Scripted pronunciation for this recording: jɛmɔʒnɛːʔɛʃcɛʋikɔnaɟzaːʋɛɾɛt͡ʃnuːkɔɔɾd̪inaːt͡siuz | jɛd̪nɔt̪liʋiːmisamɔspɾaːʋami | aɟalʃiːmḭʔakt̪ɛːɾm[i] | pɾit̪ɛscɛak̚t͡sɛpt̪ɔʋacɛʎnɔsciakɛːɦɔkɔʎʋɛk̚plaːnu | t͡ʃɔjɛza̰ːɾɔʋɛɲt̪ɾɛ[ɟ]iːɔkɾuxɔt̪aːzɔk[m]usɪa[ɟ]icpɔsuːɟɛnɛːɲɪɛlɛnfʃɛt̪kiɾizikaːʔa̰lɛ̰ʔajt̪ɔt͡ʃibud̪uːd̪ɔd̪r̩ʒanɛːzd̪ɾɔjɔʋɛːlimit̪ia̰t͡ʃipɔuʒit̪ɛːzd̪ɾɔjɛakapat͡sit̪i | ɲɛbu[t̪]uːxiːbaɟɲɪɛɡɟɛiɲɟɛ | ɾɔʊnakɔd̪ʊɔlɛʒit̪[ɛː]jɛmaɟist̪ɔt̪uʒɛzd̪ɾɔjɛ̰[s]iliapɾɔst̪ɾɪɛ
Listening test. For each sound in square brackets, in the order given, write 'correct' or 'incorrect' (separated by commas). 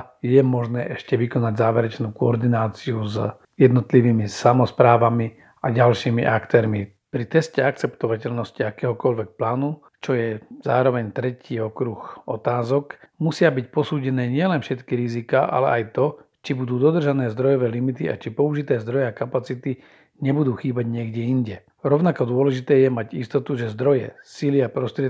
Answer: correct, incorrect, correct, incorrect, incorrect, correct, correct